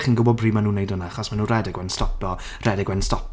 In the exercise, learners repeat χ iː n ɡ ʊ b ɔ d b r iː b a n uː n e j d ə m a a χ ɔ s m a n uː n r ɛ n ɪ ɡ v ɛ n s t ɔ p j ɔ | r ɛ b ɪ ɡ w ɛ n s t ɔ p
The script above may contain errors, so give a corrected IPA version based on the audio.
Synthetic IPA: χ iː n ɡ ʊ b ɔ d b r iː m a n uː n e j d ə n a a χ ɔ s m a n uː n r ɛ d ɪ ɡ w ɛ n s t ɔ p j ɔ | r ɛ d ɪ ɡ w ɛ n s t ɔ p